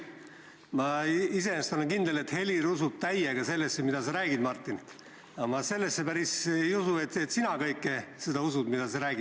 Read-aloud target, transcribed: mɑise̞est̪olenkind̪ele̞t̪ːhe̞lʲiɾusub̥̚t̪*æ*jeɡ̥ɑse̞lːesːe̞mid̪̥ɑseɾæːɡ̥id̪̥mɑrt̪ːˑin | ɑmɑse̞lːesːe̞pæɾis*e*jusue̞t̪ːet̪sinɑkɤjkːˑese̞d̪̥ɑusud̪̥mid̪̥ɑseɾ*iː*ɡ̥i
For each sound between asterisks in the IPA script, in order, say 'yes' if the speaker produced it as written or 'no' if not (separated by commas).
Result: yes, yes, no